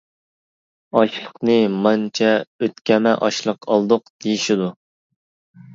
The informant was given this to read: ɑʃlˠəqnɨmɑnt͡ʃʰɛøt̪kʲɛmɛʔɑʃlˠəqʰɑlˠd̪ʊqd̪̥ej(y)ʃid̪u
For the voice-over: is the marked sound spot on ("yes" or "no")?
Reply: no